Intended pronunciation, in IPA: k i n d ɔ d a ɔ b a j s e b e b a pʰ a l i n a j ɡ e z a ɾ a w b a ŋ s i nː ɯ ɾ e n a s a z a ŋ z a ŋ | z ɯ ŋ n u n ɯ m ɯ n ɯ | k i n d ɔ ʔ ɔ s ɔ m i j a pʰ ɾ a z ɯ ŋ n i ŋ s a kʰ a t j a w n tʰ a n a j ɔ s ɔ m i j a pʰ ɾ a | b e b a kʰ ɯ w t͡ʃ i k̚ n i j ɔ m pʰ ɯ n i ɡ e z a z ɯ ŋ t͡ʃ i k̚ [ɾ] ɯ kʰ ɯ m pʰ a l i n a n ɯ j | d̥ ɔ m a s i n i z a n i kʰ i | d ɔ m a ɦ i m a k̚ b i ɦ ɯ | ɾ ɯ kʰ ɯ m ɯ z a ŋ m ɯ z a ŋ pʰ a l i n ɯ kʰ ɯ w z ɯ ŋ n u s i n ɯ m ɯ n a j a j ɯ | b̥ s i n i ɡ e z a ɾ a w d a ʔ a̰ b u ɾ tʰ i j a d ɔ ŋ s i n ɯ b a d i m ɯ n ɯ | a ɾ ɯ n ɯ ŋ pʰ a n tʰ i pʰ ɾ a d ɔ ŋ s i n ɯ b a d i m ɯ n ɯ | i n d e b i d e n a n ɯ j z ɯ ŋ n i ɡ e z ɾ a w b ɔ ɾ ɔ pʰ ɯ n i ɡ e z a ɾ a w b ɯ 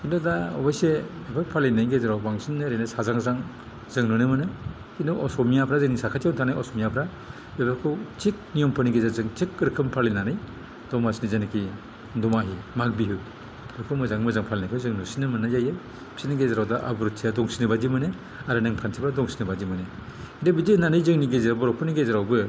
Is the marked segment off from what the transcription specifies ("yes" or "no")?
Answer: no